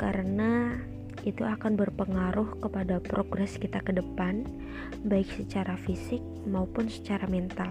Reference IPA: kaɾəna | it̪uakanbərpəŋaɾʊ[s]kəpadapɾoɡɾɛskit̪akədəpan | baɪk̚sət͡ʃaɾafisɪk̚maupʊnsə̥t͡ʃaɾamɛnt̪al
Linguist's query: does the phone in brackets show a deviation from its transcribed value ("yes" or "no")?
yes